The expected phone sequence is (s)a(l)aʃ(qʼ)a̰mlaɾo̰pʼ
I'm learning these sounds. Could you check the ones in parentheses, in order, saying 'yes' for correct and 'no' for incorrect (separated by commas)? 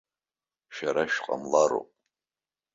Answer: no, no, yes